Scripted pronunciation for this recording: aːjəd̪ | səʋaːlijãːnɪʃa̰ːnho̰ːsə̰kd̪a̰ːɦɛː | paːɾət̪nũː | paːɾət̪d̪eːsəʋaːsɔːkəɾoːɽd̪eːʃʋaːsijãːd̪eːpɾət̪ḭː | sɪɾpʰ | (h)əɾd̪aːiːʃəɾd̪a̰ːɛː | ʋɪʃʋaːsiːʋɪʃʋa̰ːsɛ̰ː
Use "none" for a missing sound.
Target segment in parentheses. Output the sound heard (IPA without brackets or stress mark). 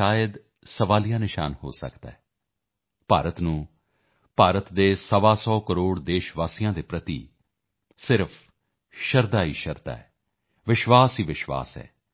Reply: ʃ